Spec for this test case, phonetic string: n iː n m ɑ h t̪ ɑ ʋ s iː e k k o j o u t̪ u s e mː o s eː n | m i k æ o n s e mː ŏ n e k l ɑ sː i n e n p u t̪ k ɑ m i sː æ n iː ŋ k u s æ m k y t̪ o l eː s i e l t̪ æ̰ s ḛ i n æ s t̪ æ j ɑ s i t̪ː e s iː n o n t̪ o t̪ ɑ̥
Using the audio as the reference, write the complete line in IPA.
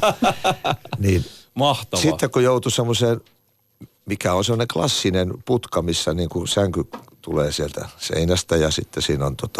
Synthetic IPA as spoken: n iː n m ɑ h t̪ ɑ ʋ s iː e k k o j o u t̪ u s e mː o s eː n | m i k æ o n s e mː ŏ n e k l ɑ sː i n e n p u t̪ k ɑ m i sː æ n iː ŋ k u s æ ŋ k y t̪ u l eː s i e l t̪ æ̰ s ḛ i n æ s t̪ æ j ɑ s i t̪ː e s iː n o n t̪ o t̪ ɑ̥